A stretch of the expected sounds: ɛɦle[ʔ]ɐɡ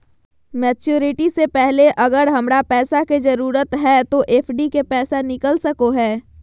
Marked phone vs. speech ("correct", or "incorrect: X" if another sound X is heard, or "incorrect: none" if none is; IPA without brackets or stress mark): correct